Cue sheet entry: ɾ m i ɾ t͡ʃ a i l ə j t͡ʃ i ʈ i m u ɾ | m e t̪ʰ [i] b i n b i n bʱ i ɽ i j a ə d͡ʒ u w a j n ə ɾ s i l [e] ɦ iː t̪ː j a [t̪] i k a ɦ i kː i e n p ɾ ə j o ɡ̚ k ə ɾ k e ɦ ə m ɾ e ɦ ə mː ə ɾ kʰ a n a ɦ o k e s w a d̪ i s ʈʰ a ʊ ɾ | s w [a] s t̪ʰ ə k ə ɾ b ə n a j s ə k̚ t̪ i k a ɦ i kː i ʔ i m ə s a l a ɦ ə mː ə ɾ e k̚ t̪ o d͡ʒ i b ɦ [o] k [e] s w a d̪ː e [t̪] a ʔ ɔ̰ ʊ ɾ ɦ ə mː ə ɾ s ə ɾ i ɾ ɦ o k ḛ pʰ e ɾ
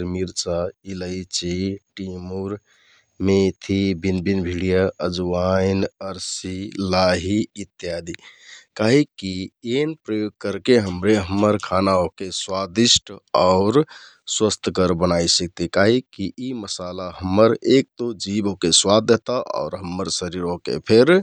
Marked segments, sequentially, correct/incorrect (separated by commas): correct, incorrect, incorrect, incorrect, correct, correct, correct